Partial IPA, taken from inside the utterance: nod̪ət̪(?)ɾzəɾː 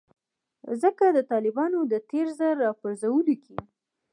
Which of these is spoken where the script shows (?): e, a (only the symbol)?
e